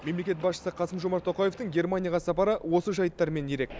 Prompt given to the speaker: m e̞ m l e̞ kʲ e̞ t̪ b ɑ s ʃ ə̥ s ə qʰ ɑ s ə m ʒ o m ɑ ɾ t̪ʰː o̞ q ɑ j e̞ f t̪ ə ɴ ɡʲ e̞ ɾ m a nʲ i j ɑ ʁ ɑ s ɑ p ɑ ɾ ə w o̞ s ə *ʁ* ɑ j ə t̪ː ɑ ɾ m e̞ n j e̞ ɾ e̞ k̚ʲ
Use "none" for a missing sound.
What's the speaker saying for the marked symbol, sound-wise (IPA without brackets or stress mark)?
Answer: ʒ